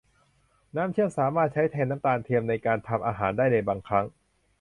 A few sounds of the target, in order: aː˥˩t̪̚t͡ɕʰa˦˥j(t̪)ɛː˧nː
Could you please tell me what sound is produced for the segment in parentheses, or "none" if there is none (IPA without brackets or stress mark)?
t̪ʰ